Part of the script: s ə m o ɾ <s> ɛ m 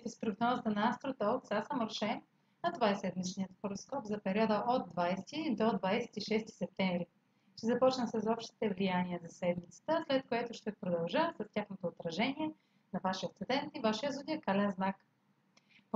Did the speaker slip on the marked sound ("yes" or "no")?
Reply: yes